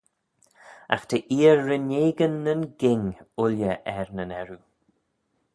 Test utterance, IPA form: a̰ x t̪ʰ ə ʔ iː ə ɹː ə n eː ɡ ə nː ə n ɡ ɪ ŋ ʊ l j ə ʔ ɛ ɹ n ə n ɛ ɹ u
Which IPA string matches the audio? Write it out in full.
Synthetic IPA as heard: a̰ x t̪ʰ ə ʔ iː ə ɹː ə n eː ɡ ə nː ə n ɡ ɪ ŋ ʊ l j ə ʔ ɛ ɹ n ə n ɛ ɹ u